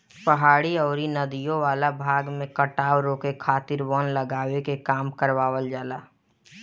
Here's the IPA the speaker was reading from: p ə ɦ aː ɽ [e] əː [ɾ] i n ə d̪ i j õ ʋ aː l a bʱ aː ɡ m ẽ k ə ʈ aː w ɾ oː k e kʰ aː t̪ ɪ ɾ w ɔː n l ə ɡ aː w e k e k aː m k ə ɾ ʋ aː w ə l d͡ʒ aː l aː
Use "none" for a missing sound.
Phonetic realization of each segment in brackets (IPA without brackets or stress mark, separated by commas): i, ɾ